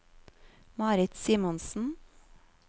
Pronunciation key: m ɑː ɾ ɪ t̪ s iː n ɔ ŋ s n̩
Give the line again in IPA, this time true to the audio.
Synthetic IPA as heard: m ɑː ɾ ɪ t̪ s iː m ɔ n s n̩